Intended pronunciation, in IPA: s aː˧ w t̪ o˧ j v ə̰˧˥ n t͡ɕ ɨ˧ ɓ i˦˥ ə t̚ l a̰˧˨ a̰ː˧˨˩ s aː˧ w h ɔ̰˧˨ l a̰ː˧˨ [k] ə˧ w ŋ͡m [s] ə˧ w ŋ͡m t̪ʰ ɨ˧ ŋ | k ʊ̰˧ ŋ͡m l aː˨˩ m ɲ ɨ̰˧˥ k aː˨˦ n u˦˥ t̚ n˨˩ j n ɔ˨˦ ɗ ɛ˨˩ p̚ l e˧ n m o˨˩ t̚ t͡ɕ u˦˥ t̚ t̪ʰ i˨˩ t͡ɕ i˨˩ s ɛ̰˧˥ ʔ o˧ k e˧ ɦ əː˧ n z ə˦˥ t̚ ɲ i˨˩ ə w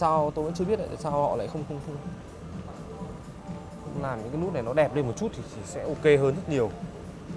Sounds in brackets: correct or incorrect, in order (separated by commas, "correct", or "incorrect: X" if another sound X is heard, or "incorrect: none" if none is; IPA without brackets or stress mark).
incorrect: x, incorrect: x